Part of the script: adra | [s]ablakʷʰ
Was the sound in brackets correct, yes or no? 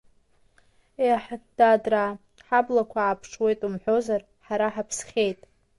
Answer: no